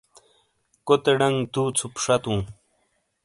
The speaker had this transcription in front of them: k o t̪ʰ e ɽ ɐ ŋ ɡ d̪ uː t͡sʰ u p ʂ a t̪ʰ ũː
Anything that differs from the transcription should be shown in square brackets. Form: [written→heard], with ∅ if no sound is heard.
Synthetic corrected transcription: k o [t̪ʰ→t̪] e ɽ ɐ ŋ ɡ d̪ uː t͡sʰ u p ʂ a [t̪ʰ→t̪] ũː